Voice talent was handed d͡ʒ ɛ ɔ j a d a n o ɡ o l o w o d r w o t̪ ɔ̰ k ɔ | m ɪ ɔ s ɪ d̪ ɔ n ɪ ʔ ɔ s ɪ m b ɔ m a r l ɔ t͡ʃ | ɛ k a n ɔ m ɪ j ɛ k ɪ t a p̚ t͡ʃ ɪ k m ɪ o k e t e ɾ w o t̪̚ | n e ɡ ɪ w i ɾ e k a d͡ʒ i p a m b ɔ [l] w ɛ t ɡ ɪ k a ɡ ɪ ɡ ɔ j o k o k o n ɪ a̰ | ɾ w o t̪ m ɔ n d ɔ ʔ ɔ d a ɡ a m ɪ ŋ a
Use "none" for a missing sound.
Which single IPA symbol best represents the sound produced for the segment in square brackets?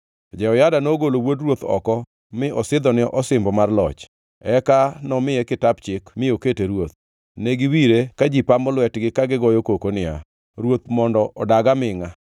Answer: l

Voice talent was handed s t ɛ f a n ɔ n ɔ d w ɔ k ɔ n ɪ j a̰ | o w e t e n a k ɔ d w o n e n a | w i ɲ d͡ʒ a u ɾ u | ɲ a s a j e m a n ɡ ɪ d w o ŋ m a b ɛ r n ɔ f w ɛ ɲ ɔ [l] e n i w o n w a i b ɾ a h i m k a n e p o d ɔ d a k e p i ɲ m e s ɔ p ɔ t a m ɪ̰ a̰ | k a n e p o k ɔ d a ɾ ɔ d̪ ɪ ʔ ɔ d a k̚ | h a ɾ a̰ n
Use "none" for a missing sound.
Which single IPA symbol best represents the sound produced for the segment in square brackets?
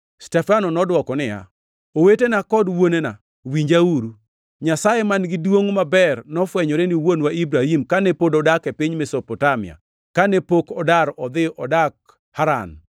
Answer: ɾ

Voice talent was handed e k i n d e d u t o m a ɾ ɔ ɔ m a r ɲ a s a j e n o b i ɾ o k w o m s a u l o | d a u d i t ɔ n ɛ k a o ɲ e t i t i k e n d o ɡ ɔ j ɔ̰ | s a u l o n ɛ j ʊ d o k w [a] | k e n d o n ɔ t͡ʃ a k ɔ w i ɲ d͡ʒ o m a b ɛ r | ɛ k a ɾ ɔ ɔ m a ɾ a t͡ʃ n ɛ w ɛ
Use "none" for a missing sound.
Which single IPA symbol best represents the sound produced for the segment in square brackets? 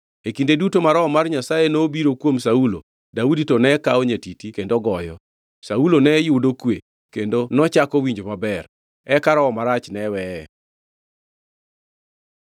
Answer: e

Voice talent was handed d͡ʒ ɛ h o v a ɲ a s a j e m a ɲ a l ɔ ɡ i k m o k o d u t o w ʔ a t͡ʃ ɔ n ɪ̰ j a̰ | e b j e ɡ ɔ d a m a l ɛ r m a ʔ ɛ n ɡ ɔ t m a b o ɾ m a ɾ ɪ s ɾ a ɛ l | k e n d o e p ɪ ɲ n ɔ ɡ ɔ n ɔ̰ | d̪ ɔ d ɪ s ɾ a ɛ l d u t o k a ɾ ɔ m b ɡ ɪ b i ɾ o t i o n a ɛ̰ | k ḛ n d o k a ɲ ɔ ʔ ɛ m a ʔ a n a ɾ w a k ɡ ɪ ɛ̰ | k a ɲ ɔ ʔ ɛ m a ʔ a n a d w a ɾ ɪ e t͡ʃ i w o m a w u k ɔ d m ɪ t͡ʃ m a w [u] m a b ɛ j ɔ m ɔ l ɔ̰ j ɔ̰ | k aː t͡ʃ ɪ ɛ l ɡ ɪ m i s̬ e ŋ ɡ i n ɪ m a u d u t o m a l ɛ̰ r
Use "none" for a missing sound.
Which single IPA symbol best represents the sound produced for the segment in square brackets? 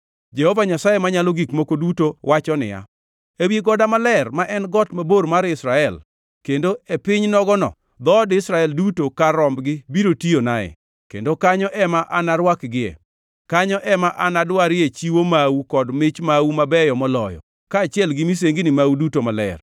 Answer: u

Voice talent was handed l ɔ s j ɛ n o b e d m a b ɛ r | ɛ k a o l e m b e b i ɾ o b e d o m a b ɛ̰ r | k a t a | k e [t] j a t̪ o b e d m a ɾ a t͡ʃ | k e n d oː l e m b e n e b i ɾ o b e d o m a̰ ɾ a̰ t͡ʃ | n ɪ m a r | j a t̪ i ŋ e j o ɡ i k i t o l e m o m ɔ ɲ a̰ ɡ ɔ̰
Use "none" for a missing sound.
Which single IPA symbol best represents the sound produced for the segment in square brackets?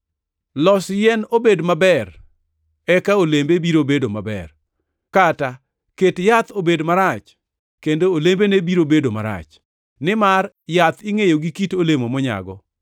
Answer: t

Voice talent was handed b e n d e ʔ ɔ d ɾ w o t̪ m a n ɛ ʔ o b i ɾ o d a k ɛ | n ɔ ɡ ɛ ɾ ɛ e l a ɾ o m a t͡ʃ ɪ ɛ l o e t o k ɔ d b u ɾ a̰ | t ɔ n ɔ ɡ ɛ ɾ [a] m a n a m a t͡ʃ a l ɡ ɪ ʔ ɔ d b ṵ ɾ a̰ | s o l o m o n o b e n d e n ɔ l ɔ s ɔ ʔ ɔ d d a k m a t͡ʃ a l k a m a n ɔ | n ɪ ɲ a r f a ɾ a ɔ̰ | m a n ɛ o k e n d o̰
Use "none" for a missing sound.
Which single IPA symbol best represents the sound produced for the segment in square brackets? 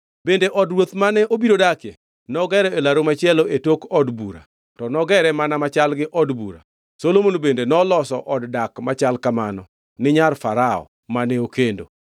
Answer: ɛ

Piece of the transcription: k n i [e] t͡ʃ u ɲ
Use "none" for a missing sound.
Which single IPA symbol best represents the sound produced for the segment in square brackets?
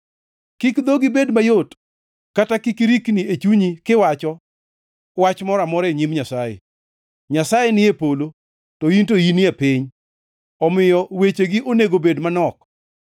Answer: e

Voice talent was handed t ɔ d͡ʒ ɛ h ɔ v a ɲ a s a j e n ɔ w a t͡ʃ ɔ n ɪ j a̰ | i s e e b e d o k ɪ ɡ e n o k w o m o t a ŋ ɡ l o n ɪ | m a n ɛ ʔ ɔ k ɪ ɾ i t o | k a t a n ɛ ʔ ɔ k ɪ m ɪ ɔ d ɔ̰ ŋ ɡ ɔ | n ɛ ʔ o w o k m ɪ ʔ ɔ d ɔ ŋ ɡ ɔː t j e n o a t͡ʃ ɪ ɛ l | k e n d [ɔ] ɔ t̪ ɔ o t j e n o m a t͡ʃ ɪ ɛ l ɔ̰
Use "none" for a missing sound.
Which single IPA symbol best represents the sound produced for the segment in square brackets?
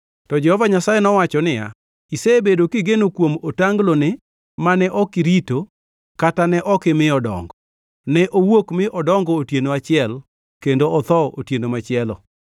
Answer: o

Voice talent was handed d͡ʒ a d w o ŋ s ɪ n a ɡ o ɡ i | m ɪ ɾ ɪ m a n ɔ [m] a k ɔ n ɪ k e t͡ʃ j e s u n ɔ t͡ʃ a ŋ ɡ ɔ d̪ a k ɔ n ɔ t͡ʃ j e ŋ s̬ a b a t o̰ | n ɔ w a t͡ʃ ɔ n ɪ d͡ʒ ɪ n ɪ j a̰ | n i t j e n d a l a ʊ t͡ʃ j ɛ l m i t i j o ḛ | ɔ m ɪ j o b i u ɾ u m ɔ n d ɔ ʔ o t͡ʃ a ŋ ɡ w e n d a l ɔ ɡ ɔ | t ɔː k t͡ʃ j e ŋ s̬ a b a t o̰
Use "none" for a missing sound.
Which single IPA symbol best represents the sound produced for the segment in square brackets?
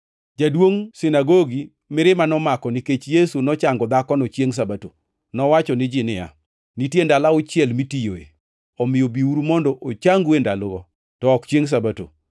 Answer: m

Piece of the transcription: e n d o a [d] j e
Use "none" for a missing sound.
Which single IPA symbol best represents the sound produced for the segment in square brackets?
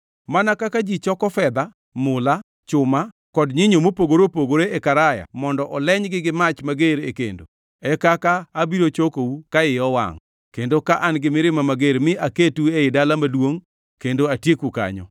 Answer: t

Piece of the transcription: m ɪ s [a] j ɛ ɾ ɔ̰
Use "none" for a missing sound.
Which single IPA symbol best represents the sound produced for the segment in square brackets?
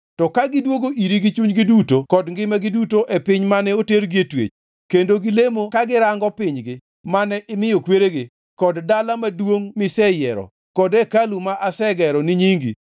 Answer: ɛ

